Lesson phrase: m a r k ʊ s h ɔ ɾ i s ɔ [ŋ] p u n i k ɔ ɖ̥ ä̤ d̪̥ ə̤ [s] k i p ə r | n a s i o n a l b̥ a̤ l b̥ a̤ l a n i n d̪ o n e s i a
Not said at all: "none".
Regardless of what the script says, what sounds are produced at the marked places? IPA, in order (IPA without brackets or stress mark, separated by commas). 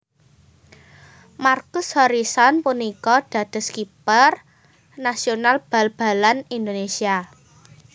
n, s